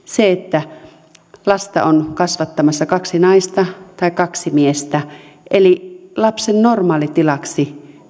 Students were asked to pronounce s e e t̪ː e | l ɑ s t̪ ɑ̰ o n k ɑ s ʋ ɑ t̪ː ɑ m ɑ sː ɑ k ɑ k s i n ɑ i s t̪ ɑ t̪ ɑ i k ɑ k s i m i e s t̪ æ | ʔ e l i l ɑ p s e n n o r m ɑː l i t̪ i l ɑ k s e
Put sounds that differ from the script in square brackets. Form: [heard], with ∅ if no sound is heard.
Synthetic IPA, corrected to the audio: s e e t̪ː [æ] | l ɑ s t̪ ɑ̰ o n k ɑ s ʋ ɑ t̪ː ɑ m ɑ sː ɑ k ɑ k s i n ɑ i s t̪ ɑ t̪ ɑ i k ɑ k s i m i e s t̪ æ | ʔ e l i l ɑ p s e n n o r m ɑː l i t̪ i l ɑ k s [i]